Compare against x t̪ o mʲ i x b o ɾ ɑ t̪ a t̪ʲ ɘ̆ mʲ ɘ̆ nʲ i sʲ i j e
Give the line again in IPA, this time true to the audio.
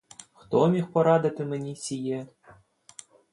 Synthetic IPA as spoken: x t̪ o mʲ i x p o ɾ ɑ d̪ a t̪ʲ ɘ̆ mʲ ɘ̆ nʲ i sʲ i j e